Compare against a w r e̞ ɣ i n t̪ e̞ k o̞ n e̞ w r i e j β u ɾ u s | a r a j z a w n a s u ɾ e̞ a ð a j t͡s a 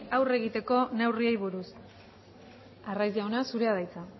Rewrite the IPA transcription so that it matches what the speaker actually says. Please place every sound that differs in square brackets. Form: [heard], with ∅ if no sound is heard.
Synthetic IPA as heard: a w r e̞ ɣ i [∅] t̪ e̞ k o̞ n e̞ w r i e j β u ɾ u s | a r a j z a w n a s u ɾ e̞ a ð a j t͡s a